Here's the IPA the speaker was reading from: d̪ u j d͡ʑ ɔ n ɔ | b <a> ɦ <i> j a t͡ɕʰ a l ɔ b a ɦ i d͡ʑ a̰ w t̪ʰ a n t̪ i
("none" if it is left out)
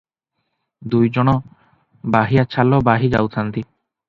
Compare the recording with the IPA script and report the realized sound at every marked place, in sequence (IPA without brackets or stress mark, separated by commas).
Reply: a, i